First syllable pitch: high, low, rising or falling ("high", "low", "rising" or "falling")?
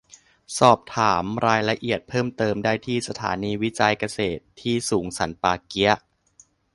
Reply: low